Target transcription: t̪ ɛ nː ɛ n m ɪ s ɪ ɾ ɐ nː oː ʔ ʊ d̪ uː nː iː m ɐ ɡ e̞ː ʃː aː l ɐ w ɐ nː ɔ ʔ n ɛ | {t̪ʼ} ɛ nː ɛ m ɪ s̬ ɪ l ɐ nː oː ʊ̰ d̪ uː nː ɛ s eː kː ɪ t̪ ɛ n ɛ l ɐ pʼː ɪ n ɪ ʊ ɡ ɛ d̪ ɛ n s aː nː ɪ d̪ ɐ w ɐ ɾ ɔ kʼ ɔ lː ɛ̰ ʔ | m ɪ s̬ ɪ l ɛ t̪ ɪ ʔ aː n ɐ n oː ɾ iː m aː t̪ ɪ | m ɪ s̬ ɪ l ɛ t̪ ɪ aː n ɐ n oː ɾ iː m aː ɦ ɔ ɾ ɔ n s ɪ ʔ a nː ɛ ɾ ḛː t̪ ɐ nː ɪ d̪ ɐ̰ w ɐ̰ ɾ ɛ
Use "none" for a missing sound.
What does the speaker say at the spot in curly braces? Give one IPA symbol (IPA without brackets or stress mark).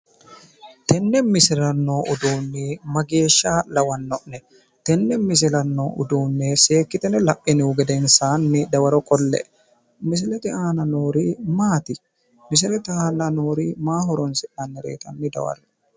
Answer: t̪